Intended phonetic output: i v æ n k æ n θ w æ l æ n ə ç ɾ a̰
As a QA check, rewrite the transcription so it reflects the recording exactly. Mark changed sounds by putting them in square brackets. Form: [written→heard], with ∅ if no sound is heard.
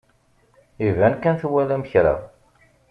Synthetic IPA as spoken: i v æ n k æ n θ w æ l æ [n→m] ə ç ɾ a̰